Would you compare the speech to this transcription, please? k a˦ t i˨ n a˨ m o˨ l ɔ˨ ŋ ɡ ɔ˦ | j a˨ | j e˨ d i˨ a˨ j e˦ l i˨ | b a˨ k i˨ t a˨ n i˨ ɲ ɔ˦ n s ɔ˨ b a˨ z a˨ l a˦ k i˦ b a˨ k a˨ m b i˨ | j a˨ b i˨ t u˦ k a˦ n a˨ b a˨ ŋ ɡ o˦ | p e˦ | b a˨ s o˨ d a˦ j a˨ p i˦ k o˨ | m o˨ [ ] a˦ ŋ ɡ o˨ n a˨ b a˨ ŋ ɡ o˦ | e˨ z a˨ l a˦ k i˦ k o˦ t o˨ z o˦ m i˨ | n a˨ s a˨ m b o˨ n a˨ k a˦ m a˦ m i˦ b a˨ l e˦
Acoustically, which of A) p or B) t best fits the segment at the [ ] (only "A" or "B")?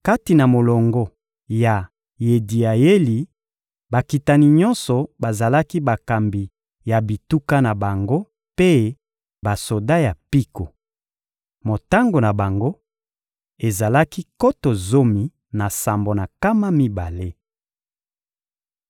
B